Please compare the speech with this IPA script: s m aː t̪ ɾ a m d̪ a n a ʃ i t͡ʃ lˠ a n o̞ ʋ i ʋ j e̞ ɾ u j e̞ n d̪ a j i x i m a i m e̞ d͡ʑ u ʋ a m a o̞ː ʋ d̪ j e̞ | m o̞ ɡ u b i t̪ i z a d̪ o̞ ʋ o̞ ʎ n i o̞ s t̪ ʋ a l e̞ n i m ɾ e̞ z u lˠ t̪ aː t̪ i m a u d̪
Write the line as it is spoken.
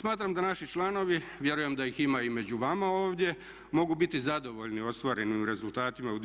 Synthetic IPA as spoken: s m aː t̪ ɾ a m d̪ a n a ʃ i t͡ʃ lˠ a n o̞ ʋ i ʋ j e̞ ɾ u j e̞ m d̪ a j i x i m a i m e̞ d͡ʑ u ʋ a m a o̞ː ʋ d̪ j e̞ | m o̞ ɡ u b i t̪ i z a d̪ o̞ ʋ o̞ ʎ n i o̞ s t̪ ʋ a ɾ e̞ n i m ɾ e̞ z u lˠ t̪ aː t̪ i m a u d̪

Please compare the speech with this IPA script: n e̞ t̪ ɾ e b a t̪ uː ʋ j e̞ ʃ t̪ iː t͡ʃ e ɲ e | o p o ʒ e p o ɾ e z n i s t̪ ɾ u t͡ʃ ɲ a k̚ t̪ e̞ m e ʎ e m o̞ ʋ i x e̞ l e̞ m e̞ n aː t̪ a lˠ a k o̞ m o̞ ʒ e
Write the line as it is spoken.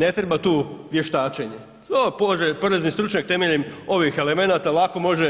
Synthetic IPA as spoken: n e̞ t̪ ɾ e b a t̪ uː ʋ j e̞ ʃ t̪ aː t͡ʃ e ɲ e | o p o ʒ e p o ɾ e z n i s t̪ ɾ u t͡ʃ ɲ a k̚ t̪ e̞ m e ʎ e m o̞ ʋ i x e̞ l e̞ m e̞ n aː t̪ a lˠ a k o̞ m o̞ ʒ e

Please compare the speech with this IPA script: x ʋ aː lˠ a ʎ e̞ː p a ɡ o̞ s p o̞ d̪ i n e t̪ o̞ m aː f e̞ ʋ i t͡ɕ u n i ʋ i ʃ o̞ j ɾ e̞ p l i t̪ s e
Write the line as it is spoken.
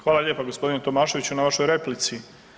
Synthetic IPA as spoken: x ʋ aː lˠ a ʎ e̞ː p a ɡ o̞ s p o̞ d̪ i n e t̪ o̞ m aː ʃ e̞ ʋ i t͡ɕ u n a ʋ a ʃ o̞ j ɾ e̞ p l i t̪ s i

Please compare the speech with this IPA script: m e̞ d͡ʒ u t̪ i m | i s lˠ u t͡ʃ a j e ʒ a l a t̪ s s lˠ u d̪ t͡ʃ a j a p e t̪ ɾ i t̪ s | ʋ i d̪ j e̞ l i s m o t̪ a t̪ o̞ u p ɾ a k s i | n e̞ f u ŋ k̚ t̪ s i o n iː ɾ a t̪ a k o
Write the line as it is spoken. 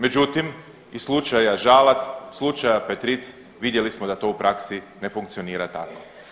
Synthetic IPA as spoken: m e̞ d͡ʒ u t̪ i m | i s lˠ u t͡ʃ a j a ʒ a l a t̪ s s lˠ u t͡ʃ a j a p e t̪ ɾ i t̪ s | ʋ i d̪ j e̞ l i s m o d̪ a t̪ o̞ u p ɾ a k s i | n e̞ f u ŋ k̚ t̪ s i o n iː ɾ a t̪ a k o

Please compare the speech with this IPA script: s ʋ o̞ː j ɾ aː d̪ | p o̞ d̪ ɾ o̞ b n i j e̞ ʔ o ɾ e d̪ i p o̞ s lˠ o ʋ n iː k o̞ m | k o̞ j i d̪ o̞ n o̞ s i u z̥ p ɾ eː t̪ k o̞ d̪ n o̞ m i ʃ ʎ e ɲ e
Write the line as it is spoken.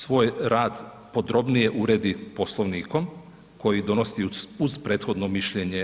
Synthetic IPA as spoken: s ʋ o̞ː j ɾ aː d̪ | p o̞ d̪ ɾ o̞ b n i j e̞ ʔ u ɾ e d̪ i p o̞ s lˠ o ʋ n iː k o̞ m | k o̞ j i d̪ o̞ n o̞ s i u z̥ p ɾ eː t̪ x o̞ d̪ n o̞ m i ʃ ʎ e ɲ e

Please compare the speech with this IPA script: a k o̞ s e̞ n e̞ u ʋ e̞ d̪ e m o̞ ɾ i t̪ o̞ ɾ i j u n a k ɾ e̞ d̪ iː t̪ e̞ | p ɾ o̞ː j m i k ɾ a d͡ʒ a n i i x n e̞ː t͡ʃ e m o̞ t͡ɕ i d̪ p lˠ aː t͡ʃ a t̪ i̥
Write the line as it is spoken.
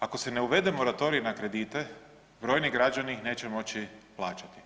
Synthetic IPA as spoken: a k o̞ s e̞ n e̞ u ʋ e̞ d̪ e m o̞ ɾ a t̪ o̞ ɾ i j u n a k ɾ e̞ d̪ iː t̪ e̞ | b ɾ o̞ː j n i ɡ ɾ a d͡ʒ a n i i x n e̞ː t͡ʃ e m o̞ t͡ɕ i p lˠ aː t͡ʃ a t̪ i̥

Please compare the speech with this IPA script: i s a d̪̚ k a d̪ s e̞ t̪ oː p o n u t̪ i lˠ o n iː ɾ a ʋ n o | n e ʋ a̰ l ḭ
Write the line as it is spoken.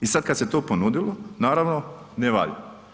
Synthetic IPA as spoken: i s a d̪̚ k a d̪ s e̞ t̪ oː p o n u d̪ i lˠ o n aː ɾ a ʋ n o | n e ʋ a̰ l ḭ

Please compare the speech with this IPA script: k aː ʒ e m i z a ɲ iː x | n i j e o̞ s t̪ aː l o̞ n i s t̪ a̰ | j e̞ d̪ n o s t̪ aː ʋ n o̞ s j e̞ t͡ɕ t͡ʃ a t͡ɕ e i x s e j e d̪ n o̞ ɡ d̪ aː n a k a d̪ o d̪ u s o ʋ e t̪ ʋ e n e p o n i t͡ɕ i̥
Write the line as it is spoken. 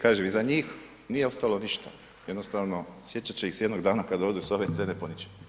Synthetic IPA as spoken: k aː ʒ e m i z a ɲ iː x | n i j e o̞ s t̪ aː l o̞ n i ʃ t̪ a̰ | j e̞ d̪ n o s t̪ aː ʋ n o̞ s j e̞ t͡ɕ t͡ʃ a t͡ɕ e i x s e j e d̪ n o̞ ɡ d̪ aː n a k a d̪ o d̪ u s o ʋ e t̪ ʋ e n e p o n i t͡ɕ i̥

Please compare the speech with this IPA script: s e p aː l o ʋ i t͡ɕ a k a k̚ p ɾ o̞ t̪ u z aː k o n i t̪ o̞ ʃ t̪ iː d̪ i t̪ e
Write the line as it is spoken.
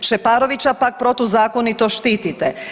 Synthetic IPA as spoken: ʃ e p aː ɾ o ʋ i t͡ɕ a p a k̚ p ɾ o̞ t̪ u z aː k o n i t̪ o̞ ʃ t̪ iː t̪ i t̪ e

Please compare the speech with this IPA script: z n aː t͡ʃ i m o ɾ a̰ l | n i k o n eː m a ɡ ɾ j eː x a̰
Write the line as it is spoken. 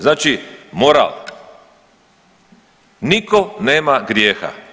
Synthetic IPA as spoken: z n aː t͡ʃ i m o ɾ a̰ l | n i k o n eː m a ɡ ɾ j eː x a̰

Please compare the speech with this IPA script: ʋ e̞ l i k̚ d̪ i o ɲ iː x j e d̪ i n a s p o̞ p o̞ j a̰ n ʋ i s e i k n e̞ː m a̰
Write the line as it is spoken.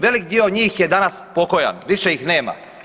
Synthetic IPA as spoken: ʋ e̞ l i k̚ d̪ i o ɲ iː x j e d̪ a n a s p o̞ k o̞ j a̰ n ʋ i ʃ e i x n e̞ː m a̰

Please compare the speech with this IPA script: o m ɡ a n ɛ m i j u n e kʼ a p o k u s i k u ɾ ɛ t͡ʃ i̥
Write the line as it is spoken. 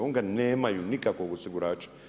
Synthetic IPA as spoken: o ŋ ɡ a n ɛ m a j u n i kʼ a k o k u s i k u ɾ a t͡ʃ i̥

